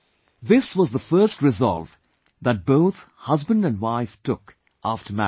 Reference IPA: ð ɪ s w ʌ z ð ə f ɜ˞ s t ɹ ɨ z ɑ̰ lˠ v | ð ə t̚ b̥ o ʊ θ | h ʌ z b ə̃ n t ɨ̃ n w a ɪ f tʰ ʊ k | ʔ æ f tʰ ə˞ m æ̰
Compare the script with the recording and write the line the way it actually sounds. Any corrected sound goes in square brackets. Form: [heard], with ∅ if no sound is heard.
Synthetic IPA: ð ɪ s w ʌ z ð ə f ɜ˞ s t ɹ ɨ z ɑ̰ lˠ v | ð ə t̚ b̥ o ʊ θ | h ʌ z b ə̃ n [d] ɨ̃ n w a ɪ f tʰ ʊ k | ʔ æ f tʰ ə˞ m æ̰